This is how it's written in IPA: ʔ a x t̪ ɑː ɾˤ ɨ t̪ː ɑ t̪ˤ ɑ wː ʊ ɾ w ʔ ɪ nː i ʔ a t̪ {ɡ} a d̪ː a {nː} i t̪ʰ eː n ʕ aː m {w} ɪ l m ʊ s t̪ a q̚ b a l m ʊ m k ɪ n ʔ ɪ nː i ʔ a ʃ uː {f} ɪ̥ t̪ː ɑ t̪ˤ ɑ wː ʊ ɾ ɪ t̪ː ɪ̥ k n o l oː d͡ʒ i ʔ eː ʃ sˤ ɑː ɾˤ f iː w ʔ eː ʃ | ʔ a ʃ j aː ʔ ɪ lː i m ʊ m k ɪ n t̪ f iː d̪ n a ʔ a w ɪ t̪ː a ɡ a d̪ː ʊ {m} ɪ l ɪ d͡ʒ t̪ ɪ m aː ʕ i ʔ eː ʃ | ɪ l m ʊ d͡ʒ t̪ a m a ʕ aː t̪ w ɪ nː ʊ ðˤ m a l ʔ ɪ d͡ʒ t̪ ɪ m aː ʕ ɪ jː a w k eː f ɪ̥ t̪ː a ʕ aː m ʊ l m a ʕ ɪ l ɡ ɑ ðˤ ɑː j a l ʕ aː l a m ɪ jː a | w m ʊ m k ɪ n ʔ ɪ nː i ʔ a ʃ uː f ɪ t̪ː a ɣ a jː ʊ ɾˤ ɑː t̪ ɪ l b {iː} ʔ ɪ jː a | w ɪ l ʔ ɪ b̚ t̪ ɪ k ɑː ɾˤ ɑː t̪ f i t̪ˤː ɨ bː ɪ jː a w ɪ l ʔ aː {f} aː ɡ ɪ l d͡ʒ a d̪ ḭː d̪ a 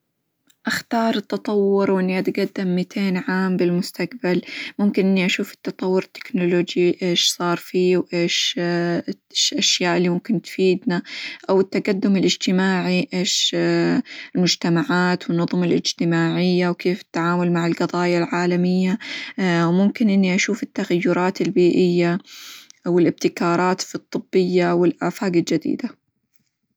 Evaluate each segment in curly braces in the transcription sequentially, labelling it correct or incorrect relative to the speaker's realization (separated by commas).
correct, incorrect, incorrect, correct, correct, correct, correct